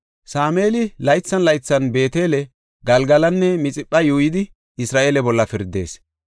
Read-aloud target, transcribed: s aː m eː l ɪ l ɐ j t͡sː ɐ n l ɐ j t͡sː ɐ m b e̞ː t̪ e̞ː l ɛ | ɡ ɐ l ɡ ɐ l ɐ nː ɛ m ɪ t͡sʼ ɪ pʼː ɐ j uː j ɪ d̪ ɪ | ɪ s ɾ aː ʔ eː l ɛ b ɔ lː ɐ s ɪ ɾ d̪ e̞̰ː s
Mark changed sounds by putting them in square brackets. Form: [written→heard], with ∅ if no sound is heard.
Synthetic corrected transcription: s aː m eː l ɪ l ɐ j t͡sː ɐ n l ɐ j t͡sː ɐ [m→n] b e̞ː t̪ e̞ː l ɛ | ɡ ɐ l ɡ ɐ l ɐ nː ɛ m ɪ t͡sʼ ɪ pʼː ɐ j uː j ɪ d̪ ɪ | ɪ s ɾ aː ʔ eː l ɛ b ɔ lː ɐ [s→f] ɪ ɾ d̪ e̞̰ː s